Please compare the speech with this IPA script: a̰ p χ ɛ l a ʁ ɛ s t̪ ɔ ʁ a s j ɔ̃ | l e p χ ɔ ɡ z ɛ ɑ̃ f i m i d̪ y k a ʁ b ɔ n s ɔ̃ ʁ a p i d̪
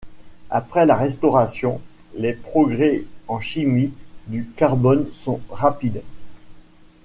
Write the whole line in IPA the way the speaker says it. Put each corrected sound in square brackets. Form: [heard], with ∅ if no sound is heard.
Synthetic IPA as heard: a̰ p χ ɛ l a ʁ ɛ s t̪ ɔ ʁ a s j ɔ̃ | l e p χ ɔ ɡ [ʁ] ɛ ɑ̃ [ʃ] i m i d̪ y k a ʁ b ɔ n s ɔ̃ ʁ a p i d̪